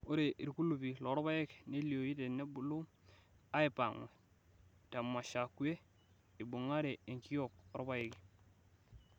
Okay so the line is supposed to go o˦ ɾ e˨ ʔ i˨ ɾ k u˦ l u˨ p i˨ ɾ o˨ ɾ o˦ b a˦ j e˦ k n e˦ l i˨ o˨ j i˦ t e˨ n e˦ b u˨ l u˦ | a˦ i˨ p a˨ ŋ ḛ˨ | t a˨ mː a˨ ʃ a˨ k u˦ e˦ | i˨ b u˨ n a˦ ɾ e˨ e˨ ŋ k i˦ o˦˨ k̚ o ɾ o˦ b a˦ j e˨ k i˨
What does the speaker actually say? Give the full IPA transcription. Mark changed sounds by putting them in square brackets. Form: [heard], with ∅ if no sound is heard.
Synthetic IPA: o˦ ɾ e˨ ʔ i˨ ɾ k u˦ l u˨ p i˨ [l] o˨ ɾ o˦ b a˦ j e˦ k n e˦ l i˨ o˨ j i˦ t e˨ n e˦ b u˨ l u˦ | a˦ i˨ p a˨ ŋ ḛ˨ | t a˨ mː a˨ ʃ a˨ k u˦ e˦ | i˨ b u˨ [ŋ] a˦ ɾ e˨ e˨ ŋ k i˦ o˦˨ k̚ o ɾ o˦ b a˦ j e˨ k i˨